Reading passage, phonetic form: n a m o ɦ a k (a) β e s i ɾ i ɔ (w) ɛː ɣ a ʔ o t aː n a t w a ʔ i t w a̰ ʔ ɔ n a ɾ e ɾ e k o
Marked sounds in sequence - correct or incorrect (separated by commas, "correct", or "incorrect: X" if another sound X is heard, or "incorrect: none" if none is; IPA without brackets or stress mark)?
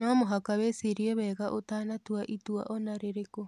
correct, incorrect: β